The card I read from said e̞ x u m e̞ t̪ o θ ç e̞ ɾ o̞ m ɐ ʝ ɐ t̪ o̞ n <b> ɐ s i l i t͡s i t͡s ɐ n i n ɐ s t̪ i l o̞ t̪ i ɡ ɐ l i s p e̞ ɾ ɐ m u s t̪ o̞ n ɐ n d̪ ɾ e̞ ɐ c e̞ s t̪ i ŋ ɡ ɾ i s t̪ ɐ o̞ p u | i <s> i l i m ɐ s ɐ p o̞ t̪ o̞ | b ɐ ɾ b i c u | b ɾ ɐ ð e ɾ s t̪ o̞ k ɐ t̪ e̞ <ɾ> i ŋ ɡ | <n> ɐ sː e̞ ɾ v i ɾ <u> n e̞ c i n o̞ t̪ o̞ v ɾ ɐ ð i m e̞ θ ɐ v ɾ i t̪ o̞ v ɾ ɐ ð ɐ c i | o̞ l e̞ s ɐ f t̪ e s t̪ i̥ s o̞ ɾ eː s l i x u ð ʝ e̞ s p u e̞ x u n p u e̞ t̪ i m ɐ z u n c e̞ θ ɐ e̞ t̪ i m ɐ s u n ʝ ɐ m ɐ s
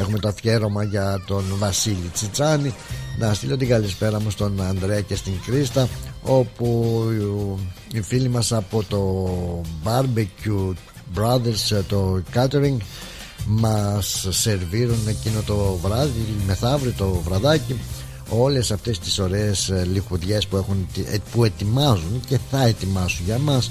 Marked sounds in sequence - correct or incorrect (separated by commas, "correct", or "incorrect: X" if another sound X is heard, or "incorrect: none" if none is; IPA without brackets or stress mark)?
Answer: incorrect: v, incorrect: f, correct, incorrect: m, correct